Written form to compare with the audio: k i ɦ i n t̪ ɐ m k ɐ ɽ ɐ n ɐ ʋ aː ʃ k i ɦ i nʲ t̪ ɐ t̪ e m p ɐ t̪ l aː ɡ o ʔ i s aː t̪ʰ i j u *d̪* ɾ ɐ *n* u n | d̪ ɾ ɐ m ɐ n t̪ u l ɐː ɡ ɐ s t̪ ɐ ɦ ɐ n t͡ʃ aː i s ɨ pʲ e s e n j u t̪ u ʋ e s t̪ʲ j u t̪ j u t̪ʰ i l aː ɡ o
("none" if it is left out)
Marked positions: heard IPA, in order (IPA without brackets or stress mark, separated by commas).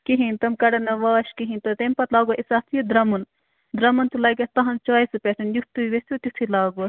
d̪, m